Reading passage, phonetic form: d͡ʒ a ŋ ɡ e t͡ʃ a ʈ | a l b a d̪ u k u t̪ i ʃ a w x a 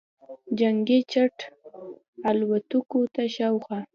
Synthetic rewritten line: d͡ʒ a ŋ ɡ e t͡ʃ a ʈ | a l w a t̪ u k o t̪ a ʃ a w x a